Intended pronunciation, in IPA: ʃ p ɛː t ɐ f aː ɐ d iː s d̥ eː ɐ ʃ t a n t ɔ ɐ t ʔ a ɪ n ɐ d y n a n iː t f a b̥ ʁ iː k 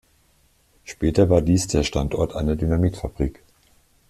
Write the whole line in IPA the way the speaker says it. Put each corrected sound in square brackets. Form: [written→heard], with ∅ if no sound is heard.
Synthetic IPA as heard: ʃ p ɛː t ɐ [f→v] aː ɐ d iː s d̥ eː ɐ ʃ t a n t ɔ ɐ t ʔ a ɪ n ɐ d y n a [n→m] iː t f a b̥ ʁ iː k